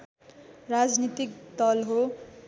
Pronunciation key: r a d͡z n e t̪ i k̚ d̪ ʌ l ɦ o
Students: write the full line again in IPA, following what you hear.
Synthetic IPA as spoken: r a d͡z n i t̪ i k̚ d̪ ʌ l ɦ o